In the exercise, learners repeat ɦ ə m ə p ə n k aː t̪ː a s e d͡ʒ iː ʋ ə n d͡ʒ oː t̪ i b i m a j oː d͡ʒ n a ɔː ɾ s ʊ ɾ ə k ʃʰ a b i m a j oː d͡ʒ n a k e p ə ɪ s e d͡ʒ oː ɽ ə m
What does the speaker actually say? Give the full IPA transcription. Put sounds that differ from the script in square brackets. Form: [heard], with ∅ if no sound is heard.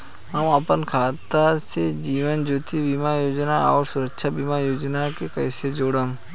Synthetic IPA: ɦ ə m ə p ə n [kʰ] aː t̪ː a s e d͡ʒ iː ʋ ə n d͡ʒ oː t̪ i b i m a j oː d͡ʒ n a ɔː ɾ s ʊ ɾ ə k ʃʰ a b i m a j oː d͡ʒ n a k e [k] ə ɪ s e d͡ʒ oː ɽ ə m